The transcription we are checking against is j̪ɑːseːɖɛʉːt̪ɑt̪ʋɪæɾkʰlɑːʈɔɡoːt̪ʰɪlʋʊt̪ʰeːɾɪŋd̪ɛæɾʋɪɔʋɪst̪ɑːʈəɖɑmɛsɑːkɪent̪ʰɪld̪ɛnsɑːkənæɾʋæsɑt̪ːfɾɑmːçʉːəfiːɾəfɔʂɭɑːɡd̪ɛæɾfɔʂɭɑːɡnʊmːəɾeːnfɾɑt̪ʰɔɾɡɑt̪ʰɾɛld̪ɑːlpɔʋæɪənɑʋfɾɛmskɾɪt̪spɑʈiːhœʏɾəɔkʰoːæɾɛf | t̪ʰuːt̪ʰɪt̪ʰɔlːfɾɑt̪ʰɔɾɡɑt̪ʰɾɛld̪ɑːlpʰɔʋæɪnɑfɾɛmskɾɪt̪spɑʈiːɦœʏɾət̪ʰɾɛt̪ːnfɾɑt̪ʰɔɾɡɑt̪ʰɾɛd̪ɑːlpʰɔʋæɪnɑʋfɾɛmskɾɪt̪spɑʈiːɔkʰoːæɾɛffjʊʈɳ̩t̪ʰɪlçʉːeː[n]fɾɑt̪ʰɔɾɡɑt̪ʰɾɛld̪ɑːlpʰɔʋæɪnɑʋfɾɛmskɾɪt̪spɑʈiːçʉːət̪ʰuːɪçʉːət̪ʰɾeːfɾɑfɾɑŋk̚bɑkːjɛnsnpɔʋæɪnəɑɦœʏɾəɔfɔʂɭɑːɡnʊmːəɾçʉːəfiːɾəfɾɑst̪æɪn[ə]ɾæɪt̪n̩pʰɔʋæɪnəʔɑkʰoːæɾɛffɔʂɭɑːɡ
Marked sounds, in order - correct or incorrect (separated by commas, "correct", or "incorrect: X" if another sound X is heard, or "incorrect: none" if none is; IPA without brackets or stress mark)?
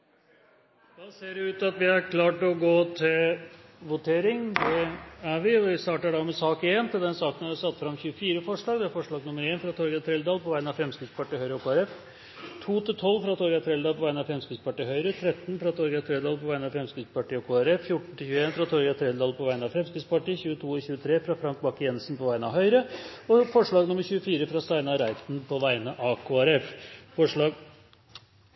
correct, incorrect: ɑ